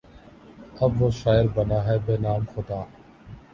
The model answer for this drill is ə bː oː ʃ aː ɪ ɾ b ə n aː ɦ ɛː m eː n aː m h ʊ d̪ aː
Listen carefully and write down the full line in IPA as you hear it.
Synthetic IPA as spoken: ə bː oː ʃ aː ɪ ɾ b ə n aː ɦ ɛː b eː n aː m x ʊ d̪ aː